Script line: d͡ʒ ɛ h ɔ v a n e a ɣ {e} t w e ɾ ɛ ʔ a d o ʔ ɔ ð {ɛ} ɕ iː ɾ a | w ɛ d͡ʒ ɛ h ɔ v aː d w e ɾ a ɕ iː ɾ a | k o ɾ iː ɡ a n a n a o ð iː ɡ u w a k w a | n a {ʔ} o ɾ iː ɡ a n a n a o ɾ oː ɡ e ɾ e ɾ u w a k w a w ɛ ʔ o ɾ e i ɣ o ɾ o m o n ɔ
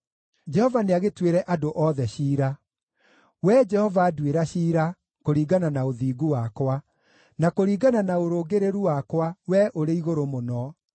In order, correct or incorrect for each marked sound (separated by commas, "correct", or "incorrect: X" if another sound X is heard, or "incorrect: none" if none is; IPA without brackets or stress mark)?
correct, correct, incorrect: k